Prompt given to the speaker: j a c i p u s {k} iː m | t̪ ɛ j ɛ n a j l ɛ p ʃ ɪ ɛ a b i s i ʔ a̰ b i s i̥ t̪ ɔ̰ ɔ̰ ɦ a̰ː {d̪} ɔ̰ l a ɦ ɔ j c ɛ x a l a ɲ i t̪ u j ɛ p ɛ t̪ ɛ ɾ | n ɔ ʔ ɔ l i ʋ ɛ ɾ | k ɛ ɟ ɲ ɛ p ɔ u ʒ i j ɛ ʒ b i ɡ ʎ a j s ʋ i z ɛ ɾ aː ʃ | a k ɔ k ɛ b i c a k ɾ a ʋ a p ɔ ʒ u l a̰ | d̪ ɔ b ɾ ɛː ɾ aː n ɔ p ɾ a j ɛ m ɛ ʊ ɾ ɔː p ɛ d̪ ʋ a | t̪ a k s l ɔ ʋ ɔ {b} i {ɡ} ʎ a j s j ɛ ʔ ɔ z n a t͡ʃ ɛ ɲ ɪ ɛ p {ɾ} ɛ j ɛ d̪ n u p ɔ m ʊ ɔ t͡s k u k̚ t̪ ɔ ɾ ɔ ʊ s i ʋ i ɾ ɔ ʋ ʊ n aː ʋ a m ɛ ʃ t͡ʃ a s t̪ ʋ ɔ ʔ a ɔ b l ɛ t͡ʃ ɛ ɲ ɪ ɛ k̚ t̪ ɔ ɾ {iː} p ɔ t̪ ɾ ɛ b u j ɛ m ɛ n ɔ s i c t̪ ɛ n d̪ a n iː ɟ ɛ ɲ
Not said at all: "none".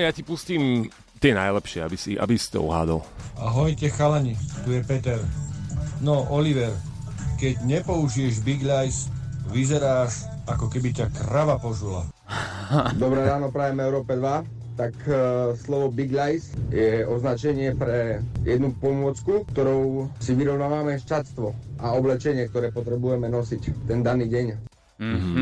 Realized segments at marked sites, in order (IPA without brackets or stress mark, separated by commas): c, d̪, b, ɡ, ɾ, ɛː